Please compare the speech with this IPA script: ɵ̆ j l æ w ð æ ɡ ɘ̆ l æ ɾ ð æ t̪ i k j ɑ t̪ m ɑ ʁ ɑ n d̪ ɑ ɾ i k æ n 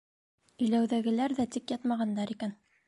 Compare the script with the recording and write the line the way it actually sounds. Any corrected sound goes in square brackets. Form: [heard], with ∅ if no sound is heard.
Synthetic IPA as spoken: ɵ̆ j l æ w ð æ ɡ ɘ̆ l æ ɾ ð æ t̪ i k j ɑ t̪ m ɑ ʁ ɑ n d̪ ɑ ɾ i k æ n